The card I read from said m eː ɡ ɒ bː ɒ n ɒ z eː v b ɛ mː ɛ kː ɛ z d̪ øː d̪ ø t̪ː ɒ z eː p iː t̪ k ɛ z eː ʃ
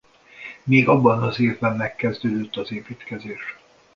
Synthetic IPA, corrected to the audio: m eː ɡ ɒ bː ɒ n ɒ z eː v b ɛ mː ɛ kː ɛ z d̪ øː d̪ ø t̪ː ɒ z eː p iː t̪ k ɛ z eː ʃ